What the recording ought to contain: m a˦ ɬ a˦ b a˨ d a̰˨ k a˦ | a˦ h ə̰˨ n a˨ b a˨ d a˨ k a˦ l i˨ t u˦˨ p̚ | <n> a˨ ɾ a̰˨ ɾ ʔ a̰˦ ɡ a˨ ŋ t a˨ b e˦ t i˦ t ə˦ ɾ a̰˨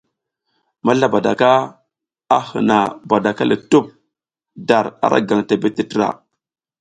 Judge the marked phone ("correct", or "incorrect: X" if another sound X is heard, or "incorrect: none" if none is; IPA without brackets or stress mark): incorrect: d